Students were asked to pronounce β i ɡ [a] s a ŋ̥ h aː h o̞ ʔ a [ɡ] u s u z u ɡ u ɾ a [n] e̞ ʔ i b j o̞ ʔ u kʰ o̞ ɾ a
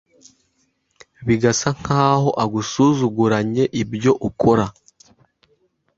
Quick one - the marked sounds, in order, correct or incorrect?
correct, correct, incorrect

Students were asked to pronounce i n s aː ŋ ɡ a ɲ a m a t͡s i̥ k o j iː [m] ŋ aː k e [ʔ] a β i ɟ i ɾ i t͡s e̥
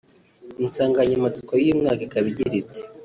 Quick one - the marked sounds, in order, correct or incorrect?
correct, incorrect

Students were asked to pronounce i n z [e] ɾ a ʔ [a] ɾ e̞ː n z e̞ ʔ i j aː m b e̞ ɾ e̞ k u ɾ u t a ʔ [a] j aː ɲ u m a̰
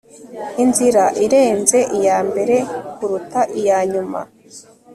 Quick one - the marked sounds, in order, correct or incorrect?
incorrect, incorrect, incorrect

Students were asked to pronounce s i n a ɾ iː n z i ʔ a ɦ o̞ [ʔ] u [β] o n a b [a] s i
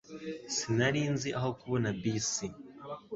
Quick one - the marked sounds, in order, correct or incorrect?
incorrect, correct, incorrect

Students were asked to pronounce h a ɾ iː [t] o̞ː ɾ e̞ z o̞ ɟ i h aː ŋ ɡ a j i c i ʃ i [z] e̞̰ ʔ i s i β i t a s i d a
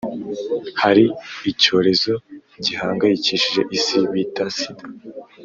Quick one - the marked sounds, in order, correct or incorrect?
incorrect, incorrect

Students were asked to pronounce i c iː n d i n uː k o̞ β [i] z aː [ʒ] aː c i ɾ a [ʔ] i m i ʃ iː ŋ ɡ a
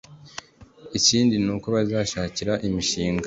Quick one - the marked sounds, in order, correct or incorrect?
incorrect, incorrect, correct

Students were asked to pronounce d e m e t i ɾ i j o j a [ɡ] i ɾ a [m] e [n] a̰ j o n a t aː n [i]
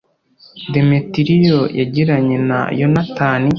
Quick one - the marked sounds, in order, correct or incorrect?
incorrect, incorrect, correct, correct

